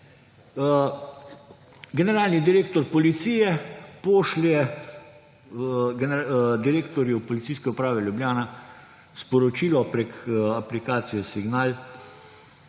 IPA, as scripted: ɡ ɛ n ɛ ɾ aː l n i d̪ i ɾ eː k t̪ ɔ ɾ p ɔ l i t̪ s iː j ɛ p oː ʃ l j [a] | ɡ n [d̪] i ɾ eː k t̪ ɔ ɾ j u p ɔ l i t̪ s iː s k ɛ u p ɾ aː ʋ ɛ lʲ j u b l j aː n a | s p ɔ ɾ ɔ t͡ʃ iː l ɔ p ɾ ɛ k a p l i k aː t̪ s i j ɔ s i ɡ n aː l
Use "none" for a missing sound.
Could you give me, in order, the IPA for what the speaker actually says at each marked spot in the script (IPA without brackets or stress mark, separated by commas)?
ɛ, d̪